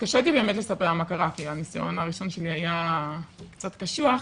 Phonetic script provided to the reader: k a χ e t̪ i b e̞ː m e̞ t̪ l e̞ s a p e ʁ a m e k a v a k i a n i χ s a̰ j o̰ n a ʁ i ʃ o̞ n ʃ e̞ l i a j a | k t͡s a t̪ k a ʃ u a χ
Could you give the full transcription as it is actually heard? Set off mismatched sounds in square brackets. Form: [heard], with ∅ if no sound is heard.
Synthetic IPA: k a [ʃ] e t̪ i b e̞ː m e̞ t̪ l e̞ s a p e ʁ a m [a] k a [ʁ] a k i a n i [∅] s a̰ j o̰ n a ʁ i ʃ o̞ n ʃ e̞ l i a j a | k t͡s a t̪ k a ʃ u a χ